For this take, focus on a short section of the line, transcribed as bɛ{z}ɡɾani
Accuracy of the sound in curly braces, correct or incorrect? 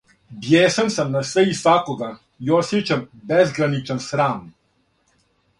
correct